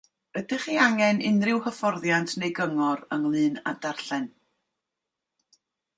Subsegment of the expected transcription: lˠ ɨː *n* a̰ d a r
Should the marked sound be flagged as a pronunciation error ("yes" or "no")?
no